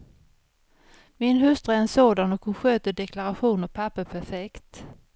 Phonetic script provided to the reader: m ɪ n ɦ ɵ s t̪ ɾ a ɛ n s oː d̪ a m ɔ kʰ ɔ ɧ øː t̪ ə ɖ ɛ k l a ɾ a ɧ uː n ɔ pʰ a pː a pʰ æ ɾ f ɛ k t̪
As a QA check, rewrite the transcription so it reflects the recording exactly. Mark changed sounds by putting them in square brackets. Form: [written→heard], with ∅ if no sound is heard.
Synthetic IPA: m ɪ n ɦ ɵ s t̪ ɾ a ɛ n s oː d̪ a [m→n] ɔ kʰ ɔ ɧ øː t̪ ə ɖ ɛ k l a ɾ a ɧ uː n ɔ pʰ a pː [a→ə] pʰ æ ɾ f ɛ k t̪